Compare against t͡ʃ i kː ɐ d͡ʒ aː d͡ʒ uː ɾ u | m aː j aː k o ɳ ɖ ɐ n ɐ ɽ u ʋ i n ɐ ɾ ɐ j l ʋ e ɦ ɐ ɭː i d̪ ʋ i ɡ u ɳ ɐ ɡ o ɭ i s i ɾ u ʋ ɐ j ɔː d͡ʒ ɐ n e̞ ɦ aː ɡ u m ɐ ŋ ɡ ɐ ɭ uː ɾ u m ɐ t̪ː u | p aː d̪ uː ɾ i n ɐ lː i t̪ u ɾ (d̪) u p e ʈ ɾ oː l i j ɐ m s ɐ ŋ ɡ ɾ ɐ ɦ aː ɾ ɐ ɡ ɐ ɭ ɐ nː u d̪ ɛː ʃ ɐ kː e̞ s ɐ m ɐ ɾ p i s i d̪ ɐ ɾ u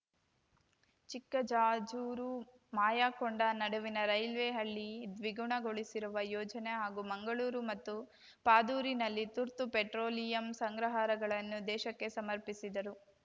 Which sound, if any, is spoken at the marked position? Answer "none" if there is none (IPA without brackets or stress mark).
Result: t̪